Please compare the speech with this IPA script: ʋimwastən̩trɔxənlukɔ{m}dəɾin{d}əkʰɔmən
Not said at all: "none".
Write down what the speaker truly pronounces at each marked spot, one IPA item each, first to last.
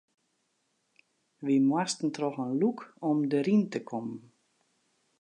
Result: m, t

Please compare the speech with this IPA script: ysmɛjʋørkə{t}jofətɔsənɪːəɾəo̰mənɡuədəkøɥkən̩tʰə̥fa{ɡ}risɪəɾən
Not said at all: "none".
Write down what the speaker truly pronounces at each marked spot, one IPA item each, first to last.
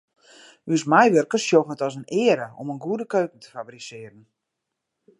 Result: s, b

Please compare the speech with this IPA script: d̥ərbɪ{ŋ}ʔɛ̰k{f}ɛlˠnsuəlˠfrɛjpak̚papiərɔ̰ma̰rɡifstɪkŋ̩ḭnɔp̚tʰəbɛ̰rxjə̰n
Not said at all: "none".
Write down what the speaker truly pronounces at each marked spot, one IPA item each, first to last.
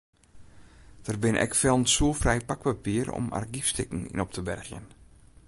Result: n, f

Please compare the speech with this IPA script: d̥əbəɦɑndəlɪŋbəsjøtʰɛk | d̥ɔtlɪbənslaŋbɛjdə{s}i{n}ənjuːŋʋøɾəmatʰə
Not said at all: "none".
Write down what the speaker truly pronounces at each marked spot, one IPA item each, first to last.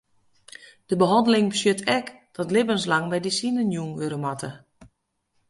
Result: s, n

